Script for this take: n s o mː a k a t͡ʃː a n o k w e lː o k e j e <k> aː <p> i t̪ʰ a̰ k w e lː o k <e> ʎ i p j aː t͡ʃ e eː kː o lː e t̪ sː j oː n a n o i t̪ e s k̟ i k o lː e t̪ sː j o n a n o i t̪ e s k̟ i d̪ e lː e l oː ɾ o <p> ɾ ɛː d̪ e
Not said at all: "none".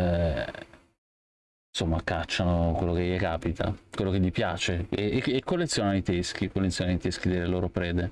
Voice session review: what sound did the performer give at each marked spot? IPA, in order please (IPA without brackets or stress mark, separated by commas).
k, p, e, p